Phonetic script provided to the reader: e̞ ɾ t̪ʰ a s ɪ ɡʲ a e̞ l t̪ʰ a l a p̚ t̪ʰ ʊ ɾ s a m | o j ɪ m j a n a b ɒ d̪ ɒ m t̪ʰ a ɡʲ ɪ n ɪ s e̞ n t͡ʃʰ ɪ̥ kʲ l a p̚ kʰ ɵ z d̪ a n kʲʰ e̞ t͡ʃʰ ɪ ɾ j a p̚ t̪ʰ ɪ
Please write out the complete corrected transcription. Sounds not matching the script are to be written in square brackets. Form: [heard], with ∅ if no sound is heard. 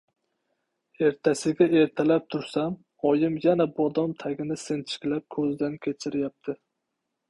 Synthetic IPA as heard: e̞ ɾ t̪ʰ a s ɪ ɡʲ a e̞ [ɾ] t̪ʰ a l a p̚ t̪ʰ ʊ ɾ s a m | [ɒ] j ɪ m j a n a b ɒ d̪ ɒ m t̪ʰ a ɡʲ ɪ n ɪ s e̞ n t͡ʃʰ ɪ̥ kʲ l a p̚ kʰ ɵ z d̪ a n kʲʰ e̞ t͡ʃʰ ɪ ɾ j a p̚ t̪ʰ ɪ

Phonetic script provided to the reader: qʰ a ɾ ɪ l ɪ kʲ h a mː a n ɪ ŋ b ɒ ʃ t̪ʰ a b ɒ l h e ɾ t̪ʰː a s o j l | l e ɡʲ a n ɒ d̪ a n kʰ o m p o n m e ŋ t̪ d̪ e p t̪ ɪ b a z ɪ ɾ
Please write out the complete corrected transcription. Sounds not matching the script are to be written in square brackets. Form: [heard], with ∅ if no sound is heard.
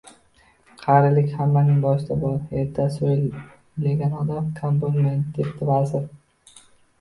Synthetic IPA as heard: qʰ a ɾ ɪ l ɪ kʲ h a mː a n ɪ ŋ b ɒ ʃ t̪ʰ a b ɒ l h e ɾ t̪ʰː a s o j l | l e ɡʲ a n ɒ d̪ a [m] kʰ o m p o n m e [n] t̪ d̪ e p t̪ ɪ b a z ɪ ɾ

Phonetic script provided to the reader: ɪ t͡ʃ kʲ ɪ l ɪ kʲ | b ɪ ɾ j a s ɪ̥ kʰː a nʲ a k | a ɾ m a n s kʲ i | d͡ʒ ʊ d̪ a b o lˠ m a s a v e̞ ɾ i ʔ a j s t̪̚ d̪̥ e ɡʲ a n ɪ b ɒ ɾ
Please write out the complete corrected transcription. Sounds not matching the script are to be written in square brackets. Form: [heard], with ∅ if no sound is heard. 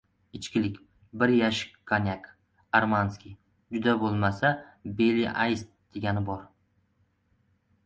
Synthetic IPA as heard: ɪ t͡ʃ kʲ ɪ l ɪ kʲ | b ɪ ɾ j a [ʃ] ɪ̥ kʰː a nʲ a k | a ɾ m a n s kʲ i | d͡ʒ ʊ d̪ a b o lˠ m a s a [b] e̞ [l] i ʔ a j s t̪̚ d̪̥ e ɡʲ a n ɪ b ɒ ɾ

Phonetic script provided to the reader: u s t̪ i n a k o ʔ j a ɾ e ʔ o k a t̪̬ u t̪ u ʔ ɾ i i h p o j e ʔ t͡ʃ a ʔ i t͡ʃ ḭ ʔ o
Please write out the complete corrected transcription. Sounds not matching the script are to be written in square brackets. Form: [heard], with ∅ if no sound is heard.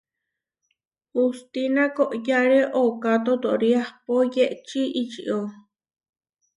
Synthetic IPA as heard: u s t̪ i n a k o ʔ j a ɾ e ʔ o k a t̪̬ [o] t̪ [o] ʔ ɾ i [a] h p o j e ʔ t͡ʃ [i] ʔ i t͡ʃ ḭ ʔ o

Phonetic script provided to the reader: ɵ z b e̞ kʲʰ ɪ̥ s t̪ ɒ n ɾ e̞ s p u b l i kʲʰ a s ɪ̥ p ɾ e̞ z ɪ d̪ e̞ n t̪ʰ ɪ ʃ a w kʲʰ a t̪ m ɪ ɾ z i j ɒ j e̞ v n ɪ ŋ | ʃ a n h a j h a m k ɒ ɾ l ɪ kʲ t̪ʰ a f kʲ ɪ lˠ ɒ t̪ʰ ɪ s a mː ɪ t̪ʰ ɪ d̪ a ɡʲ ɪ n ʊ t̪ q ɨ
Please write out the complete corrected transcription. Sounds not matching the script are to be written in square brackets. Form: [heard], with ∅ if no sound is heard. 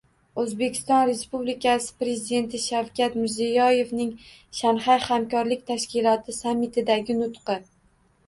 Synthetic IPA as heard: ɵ z b e̞ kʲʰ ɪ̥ s t̪ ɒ n ɾ e̞ s p u b l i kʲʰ a s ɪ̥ p ɾ e̞ z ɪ d̪ e̞ n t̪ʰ ɪ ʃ a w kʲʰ a t̪ m ɪ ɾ z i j ɒ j e̞ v n ɪ ŋ | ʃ a n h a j h a m k ɒ ɾ l ɪ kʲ t̪ʰ a [ʃ] kʲ ɪ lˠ ɒ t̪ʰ ɪ s a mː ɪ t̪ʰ ɪ d̪ a ɡʲ ɪ n ʊ t̪ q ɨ

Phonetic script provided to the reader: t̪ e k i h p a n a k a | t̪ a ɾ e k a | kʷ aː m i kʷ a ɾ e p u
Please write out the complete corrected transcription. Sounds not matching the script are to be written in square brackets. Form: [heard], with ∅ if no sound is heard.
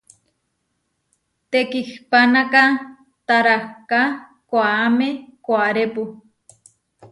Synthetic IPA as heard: t̪ e k i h p a n a k a | t̪ a ɾ [a] k a | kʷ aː m [e] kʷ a ɾ e p u

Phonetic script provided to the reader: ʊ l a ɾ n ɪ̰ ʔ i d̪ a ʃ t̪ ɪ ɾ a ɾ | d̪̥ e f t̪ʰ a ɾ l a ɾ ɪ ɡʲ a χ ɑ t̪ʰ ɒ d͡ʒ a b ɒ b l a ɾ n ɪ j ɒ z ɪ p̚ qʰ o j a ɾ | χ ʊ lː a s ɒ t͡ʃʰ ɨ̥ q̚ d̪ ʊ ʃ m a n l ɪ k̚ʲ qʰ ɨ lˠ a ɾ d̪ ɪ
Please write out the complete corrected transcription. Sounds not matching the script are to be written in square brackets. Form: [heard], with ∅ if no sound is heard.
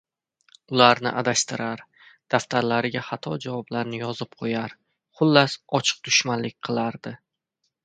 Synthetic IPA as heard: ʊ l a ɾ n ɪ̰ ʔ [a] d̪ a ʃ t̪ ɪ ɾ a ɾ | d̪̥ [a] f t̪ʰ a ɾ l a ɾ ɪ ɡʲ a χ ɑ t̪ʰ ɒ d͡ʒ a [v] ɒ b l a ɾ n ɪ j ɒ z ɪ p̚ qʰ o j a ɾ | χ ʊ lː a s ɒ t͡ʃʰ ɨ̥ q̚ d̪ ʊ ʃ m a n l ɪ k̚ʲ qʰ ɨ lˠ a ɾ d̪ ɪ

